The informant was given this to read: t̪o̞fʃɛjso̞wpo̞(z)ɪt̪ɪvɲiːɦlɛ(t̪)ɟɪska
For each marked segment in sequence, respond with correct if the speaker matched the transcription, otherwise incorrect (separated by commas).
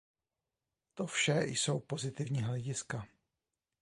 correct, incorrect